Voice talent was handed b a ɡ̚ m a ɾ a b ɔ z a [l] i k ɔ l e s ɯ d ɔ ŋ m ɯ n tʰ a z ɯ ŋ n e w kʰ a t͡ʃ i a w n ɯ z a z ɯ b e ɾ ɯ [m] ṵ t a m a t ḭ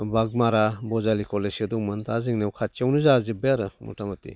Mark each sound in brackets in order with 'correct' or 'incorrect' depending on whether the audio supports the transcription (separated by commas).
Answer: correct, correct